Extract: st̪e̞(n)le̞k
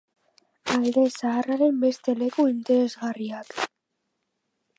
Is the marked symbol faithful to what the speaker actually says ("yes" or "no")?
no